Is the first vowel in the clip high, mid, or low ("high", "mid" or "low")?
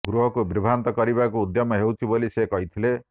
high